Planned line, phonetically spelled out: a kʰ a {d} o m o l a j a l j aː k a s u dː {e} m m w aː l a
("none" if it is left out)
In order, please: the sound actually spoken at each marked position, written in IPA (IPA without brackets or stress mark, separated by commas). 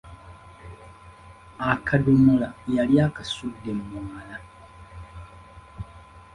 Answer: d, e